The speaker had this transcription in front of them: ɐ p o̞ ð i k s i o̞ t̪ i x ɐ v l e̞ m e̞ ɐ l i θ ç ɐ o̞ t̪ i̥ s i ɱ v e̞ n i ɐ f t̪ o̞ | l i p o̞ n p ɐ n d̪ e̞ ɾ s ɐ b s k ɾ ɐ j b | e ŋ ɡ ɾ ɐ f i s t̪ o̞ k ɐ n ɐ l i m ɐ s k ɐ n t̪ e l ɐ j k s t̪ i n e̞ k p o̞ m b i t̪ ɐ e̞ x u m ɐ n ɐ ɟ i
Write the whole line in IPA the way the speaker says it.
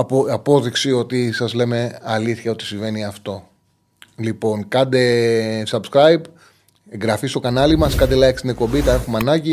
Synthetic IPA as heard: ɐ p o̞ ð i k s i o̞ t̪ i s ɐ z l e̞ m e̞ ɐ l i θ ç ɐ o̞ t̪ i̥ s i ɱ v e̞ n i ɐ f t̪ o̞ | l i p o̞ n k ɐ n d̪ e̞ s ɐ b s k ɾ ɐ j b | e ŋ ɡ ɾ ɐ f i s t̪ o̞ k ɐ n ɐ l i m ɐ s k ɐ n d̪ e l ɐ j k s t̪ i n e̞ k p o̞ m b i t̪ ɐ e̞ x u m ɐ n ɐ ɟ i